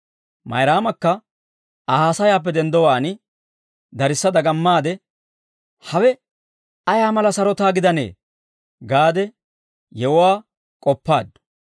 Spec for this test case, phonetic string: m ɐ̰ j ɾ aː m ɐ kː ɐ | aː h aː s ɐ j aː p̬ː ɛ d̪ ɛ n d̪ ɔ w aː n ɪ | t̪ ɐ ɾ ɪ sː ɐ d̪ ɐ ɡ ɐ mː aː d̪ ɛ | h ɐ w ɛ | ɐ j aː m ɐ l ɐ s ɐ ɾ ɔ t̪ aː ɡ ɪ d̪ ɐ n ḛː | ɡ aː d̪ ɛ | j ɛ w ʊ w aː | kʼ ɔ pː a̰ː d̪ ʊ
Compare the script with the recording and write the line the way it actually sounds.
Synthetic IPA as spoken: m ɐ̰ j ɾ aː m ɐ kː ɐ | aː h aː s ɐ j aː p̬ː ɛ d̪ ɛ n d̪ ɔ w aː n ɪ | d̪ ɐ ɾ ɪ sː ɐ d̪ ɐ ɡ ɐ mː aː d̪ ɛ | h ɐ w ɛ | ɐ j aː m ɐ l ɐ s ɐ ɾ ɔ t̪ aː ɡ ɪ d̪ ɐ n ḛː | ɡ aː d̪ ɛ | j ɛ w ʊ w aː | kʼ ɔ pː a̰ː d̪ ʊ